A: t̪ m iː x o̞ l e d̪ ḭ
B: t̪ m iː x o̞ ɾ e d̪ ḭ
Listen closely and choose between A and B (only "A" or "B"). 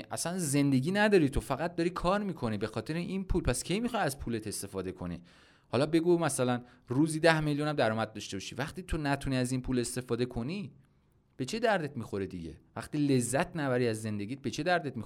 B